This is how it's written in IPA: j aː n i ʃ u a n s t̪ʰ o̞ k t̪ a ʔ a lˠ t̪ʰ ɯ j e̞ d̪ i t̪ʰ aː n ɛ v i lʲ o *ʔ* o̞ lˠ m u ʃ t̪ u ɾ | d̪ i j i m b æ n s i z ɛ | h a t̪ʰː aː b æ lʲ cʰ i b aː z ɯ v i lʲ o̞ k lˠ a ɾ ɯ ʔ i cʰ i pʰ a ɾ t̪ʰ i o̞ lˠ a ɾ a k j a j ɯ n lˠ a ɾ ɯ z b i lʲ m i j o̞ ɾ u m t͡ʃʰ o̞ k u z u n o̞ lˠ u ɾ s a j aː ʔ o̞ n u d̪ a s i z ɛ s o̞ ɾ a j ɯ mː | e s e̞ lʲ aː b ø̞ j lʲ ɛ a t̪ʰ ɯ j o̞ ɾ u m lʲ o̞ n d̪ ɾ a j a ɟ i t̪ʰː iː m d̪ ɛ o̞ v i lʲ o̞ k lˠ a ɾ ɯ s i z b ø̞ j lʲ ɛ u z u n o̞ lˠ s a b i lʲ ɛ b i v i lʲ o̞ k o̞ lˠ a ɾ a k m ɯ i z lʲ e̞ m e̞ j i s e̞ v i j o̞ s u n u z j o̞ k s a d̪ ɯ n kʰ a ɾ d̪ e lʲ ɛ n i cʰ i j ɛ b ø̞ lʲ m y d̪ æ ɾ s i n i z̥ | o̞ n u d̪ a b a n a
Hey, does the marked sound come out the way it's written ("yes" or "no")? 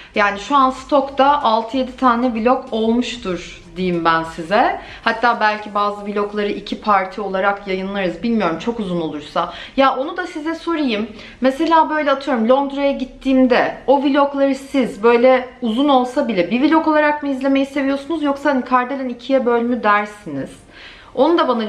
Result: no